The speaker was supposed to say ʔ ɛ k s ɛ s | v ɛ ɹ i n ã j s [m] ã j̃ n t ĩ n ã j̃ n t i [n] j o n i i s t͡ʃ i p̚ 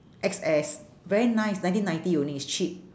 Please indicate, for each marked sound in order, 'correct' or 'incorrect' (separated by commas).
incorrect, incorrect